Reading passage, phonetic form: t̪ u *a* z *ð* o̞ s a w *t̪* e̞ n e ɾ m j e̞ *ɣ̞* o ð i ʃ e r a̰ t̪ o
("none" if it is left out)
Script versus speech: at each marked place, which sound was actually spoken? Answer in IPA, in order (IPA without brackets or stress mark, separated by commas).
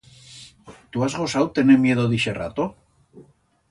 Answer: a, ɣ, t̪, ð̞